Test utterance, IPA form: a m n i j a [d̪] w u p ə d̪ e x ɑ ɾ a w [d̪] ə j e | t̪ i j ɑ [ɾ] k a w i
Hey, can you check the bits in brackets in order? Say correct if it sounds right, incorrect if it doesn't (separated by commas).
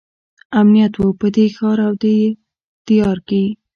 incorrect, correct, correct